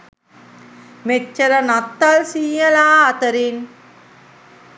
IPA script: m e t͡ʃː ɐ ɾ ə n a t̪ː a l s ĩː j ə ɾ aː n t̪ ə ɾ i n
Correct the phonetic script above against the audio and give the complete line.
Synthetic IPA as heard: m e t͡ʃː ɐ ɾ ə n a t̪ː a l s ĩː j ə l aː t̪ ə ɾ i n